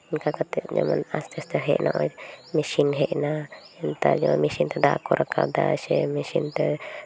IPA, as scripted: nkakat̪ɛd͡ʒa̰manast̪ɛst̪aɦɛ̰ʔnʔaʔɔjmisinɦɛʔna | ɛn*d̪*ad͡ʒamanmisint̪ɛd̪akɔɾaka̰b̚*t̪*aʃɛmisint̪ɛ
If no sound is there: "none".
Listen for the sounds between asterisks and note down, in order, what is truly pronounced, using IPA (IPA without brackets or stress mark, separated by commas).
t̪, d̪